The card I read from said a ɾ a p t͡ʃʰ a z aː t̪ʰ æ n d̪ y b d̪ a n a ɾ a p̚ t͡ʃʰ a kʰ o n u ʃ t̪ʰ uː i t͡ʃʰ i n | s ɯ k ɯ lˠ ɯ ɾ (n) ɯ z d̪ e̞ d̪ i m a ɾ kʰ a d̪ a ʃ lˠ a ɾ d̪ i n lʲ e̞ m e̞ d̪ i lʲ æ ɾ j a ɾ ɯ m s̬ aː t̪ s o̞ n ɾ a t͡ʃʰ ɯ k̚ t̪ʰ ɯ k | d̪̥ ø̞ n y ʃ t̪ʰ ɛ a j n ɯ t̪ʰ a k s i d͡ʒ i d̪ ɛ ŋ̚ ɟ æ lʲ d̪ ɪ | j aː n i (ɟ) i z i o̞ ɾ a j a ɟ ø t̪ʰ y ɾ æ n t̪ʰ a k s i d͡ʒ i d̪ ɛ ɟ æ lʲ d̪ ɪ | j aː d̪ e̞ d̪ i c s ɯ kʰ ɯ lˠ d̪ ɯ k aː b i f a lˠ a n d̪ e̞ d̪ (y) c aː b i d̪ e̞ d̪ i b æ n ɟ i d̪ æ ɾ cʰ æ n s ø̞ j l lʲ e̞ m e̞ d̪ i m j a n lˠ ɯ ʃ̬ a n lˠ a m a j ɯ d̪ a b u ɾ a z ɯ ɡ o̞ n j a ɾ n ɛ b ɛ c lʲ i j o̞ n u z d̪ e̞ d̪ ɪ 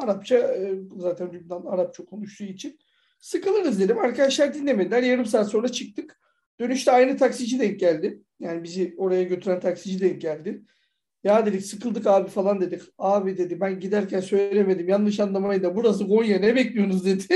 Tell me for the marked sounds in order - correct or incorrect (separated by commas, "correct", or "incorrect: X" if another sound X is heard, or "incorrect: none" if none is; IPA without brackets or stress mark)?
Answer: correct, incorrect: b, incorrect: i